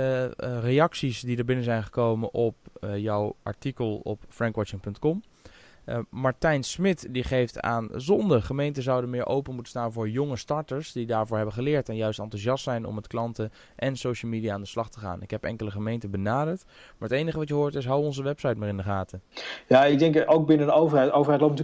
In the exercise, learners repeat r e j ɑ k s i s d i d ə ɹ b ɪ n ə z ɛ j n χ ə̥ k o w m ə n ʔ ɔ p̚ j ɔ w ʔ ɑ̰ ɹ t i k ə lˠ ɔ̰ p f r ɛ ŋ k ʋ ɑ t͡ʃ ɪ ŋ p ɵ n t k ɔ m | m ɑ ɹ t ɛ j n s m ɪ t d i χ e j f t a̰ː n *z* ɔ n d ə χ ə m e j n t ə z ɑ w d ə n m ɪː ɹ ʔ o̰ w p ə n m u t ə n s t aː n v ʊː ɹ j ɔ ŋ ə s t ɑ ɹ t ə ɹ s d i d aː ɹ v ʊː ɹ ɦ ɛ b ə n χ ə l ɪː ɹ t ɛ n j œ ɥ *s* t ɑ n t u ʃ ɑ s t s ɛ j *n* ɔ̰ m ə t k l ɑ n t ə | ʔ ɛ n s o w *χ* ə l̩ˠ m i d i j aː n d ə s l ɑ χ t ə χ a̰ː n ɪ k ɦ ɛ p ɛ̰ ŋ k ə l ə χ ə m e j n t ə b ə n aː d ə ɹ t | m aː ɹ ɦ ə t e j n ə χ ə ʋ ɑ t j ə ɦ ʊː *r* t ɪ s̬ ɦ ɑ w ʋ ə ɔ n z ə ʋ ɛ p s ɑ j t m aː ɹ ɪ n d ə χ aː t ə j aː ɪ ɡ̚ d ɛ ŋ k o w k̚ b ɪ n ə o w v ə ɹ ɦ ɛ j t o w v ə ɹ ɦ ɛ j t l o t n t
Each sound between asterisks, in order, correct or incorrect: correct, correct, correct, incorrect, incorrect

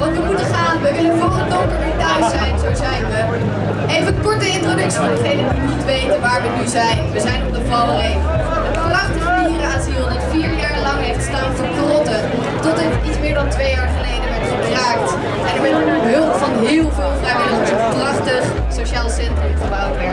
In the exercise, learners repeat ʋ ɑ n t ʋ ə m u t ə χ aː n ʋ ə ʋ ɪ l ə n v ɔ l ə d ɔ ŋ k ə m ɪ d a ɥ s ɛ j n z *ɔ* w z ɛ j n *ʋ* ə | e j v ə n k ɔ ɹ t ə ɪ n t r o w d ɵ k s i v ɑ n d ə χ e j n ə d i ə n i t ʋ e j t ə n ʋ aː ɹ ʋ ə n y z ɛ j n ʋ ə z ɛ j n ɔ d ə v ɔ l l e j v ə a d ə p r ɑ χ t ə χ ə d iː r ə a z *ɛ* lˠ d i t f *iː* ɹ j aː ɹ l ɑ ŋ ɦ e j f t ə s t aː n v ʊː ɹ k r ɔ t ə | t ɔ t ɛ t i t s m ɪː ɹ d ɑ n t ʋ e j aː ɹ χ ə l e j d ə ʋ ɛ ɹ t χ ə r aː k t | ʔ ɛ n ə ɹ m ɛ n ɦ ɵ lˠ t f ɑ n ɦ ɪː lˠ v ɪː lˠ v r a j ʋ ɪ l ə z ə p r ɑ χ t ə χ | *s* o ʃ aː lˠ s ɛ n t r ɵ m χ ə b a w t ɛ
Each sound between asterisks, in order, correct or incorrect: incorrect, correct, incorrect, correct, correct

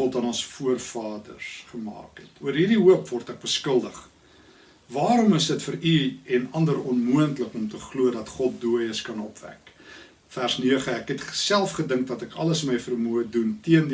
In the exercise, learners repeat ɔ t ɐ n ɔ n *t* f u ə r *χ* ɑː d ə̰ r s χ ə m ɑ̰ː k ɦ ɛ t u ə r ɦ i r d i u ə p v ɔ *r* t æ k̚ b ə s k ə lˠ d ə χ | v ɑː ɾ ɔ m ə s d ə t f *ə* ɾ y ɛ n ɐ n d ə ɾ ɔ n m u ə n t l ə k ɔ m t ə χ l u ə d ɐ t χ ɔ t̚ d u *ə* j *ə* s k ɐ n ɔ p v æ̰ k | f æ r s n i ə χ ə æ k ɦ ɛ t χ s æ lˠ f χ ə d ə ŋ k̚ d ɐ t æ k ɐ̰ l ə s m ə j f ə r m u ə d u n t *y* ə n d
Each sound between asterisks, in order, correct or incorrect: incorrect, incorrect, correct, correct, correct, correct, incorrect

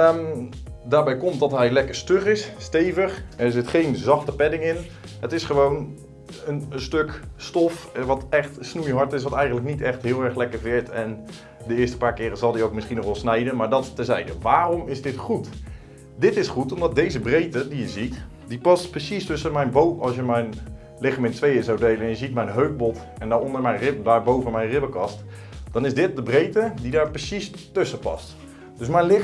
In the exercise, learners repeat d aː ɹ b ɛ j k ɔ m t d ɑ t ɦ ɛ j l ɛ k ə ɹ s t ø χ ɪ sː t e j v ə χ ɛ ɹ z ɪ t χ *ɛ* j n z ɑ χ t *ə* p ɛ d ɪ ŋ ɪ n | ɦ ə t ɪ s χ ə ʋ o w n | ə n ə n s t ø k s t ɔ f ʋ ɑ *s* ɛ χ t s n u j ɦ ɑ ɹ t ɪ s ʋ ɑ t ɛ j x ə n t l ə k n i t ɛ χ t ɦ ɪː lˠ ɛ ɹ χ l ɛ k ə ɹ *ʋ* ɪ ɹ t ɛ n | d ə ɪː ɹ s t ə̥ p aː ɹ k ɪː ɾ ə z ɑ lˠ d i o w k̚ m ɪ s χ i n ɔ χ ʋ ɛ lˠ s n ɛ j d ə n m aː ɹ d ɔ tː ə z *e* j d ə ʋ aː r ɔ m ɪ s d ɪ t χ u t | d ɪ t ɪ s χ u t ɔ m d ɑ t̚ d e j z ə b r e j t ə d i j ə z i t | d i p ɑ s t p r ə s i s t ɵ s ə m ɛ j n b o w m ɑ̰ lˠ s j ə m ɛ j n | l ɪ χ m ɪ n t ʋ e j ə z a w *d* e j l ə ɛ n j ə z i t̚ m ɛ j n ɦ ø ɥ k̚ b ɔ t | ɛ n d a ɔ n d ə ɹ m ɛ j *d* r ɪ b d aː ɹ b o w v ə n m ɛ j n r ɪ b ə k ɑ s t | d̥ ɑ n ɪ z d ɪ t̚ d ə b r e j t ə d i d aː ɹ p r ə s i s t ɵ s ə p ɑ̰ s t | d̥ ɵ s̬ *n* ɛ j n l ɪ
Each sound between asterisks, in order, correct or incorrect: incorrect, correct, incorrect, incorrect, incorrect, correct, incorrect, incorrect

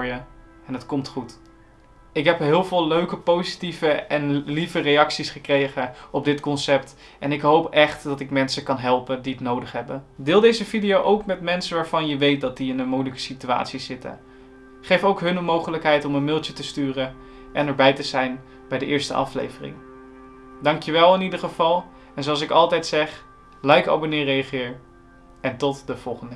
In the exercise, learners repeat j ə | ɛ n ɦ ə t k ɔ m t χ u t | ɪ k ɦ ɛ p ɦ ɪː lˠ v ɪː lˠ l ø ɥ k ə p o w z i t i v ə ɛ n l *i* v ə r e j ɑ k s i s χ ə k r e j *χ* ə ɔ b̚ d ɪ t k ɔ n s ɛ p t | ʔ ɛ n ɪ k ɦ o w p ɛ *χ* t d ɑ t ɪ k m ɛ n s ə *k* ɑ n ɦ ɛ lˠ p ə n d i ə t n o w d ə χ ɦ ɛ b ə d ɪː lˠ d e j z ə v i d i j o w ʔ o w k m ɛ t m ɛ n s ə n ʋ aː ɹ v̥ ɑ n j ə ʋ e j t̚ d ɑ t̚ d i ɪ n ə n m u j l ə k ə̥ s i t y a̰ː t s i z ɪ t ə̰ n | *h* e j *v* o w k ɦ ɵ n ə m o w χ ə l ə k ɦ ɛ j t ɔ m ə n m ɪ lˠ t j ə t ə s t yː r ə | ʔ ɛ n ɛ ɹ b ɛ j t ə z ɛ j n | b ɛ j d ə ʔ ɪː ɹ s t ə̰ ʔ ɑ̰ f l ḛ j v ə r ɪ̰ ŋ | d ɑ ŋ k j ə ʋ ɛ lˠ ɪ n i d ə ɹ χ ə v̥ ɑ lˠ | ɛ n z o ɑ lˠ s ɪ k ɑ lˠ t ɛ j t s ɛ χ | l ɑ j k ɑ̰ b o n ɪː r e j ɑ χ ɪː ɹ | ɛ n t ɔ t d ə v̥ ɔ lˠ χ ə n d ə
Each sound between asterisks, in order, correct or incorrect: correct, correct, correct, correct, incorrect, incorrect

